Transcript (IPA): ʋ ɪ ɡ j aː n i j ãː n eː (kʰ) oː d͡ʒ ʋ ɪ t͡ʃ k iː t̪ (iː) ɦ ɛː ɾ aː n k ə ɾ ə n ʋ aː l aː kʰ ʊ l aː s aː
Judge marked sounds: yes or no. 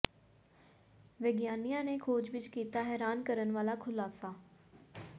yes, no

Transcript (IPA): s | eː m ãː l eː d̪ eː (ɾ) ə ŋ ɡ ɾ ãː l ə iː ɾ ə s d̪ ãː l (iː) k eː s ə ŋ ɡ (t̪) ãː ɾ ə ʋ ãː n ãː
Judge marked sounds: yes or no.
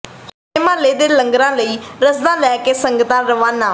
no, no, yes

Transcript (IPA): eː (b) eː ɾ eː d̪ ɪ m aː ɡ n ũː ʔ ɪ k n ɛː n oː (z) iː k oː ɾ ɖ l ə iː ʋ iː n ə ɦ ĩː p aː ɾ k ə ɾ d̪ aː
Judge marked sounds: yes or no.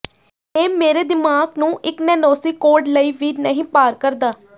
no, no

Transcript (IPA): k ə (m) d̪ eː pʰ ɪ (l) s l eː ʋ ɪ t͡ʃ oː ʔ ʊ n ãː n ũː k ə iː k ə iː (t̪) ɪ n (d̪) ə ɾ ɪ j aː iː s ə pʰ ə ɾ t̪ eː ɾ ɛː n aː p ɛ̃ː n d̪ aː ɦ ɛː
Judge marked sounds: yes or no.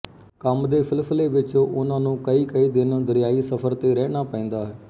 yes, yes, no, yes

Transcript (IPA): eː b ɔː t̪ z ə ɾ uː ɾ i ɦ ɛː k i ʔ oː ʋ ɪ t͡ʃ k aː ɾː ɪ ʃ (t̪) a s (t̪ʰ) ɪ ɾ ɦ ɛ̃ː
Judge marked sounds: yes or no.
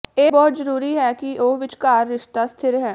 yes, yes

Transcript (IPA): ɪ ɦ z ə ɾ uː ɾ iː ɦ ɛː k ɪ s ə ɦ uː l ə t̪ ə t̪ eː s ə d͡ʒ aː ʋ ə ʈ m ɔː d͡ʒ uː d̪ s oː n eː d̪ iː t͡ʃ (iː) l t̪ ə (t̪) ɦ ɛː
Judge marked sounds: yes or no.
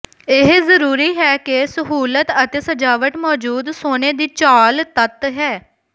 no, yes

